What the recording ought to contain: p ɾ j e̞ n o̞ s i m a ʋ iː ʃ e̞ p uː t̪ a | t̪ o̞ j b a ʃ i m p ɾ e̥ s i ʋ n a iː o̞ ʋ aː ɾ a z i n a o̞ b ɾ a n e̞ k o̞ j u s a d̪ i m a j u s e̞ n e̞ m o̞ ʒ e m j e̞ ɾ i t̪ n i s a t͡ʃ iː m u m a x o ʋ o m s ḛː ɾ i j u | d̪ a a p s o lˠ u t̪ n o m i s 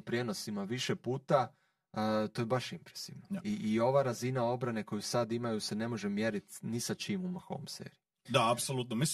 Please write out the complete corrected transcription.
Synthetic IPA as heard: p ɾ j e̞ n o̞ s i m a ʋ i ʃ e̞ p uː t̪ a | t̪ o̞ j b a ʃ i m p ɾ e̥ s i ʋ n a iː o̞ ʋ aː ɾ a z i n a o̞ b ɾ a n e̞ k o̞ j u s a d̪ i m a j u s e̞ n e̞ m o̞ ʒ e m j e̞ ɾ i t̪ n i s a t͡ʃ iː m u m a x o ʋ o m s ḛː ɾ i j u | d̪ a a p s o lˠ u t̪ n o m i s